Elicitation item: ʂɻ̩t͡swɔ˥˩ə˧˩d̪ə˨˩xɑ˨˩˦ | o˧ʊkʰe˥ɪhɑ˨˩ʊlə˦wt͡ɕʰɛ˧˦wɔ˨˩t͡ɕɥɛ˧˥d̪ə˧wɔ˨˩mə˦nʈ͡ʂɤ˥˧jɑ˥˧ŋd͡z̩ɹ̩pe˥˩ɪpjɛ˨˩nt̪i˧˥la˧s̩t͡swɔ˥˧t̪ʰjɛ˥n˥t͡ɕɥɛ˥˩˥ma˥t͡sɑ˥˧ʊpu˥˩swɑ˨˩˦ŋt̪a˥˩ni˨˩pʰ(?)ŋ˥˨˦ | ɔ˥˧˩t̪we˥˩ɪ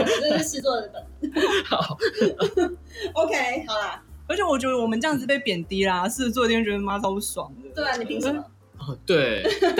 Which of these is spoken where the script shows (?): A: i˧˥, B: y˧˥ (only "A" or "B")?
A